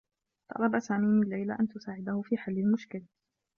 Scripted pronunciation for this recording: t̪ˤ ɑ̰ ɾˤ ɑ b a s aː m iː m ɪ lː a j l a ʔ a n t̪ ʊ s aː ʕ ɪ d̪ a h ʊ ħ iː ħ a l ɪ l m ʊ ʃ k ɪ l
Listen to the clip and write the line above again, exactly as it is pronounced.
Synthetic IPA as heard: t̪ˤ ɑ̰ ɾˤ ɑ b a s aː m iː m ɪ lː a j l a ʔ a n t̪ ʊ s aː ʕ ɪ d̪ a h ʊ f iː ħ a lː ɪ l m ʊ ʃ k ɪ l